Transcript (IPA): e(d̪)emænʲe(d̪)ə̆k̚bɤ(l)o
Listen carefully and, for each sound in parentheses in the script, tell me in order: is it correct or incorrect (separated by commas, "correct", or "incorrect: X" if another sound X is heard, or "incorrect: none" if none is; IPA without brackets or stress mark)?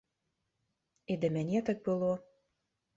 correct, incorrect: t̪, correct